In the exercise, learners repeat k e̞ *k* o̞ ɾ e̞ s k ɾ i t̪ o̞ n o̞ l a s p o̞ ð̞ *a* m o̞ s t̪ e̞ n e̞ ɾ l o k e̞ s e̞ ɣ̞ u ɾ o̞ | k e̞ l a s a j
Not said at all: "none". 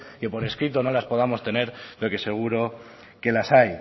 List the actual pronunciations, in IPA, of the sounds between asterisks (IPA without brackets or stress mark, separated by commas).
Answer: p, a